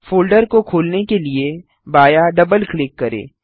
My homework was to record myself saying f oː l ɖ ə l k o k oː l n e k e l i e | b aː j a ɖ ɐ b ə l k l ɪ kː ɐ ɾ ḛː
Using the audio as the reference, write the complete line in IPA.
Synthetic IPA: f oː l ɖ ə ɾ k o kʰ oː l n e k e l i e | b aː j a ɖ ɐ b ə l k l ɪ kː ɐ ɾ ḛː